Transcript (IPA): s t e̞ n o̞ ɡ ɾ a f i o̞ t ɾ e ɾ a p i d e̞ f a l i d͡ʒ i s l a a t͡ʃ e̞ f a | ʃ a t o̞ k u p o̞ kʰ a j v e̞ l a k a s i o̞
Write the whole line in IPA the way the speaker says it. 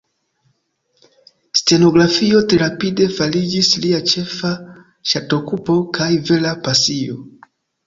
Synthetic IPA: s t e̞ n o̞ ɡ ɾ a f i o̞ t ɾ e ɾ a p i d e̞ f a l i d͡ʒ i s l i a t͡ʃ e̞ f a | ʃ a t o̞ k u p o̞ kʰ a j v e̞ l a p a s i o̞